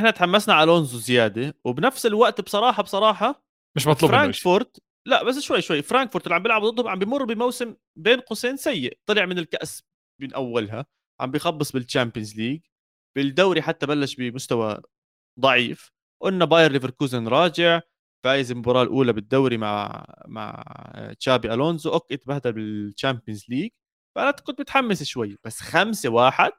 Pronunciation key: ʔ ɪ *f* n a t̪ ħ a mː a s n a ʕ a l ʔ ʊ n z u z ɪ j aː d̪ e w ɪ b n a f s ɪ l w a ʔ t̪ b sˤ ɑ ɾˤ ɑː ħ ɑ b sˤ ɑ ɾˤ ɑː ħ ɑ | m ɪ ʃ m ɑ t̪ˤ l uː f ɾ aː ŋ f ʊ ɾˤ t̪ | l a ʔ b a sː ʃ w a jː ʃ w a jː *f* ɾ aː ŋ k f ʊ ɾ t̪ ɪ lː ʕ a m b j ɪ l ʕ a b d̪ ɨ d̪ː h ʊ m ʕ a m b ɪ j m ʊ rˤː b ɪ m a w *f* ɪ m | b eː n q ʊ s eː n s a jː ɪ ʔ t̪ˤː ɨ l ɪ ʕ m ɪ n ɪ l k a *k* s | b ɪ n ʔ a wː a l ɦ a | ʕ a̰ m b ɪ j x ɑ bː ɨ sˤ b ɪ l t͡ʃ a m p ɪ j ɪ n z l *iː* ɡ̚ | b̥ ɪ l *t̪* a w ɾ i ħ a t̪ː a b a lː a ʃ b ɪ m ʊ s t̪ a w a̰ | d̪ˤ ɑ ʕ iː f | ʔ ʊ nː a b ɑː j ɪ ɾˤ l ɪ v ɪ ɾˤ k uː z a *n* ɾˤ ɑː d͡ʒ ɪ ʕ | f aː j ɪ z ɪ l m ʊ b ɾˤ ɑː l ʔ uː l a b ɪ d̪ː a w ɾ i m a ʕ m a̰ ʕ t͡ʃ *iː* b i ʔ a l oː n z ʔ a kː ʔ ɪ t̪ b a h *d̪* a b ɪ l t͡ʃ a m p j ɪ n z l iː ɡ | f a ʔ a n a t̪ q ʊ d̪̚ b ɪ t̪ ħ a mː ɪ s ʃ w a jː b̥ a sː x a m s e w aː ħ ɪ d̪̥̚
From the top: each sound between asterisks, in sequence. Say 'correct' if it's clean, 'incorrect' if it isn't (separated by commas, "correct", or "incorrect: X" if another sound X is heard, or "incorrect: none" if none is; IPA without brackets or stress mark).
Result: incorrect: ħ, correct, incorrect: s, incorrect: ʔ, correct, incorrect: d̪, correct, incorrect: aː, correct